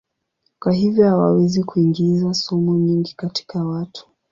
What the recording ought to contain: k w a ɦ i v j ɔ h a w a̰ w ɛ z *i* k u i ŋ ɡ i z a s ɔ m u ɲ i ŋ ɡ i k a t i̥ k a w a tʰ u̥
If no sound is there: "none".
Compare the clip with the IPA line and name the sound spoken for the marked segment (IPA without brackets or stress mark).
i